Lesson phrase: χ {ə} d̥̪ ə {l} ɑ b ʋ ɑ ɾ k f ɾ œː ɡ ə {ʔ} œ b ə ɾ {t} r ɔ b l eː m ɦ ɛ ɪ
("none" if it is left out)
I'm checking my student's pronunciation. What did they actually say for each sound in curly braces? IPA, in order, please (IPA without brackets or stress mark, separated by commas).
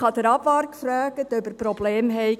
ɑ, ɾ, t, p